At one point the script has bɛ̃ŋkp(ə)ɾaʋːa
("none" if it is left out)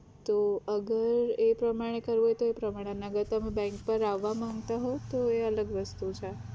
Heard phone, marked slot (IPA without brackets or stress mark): ə